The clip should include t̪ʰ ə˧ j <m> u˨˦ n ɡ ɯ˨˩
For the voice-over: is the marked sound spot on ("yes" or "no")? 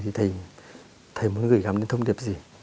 yes